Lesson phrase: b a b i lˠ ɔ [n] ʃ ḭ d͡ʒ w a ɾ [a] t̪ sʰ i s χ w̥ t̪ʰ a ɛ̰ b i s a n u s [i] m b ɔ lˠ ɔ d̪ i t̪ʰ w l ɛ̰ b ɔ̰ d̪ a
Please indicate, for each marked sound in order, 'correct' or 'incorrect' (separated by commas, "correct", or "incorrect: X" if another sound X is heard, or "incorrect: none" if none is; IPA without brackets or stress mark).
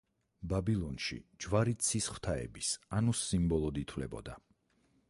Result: correct, incorrect: i, correct